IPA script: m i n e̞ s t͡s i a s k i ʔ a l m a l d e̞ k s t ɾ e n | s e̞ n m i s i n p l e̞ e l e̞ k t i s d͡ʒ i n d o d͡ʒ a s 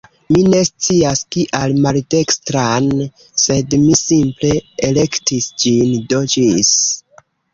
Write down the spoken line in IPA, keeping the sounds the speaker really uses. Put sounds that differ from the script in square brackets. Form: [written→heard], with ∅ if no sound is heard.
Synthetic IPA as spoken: m i n e̞ s t͡s i a s k i ʔ a l m a l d e̞ k s t ɾ [e→a] n | s e̞ [n→d] m i s i [n→m] p l e̞ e l e̞ k t i s d͡ʒ i n d o d͡ʒ [a→i] s